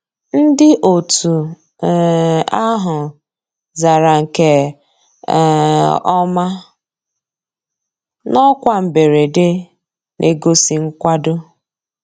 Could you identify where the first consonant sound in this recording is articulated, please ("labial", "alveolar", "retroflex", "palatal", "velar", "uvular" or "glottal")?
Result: alveolar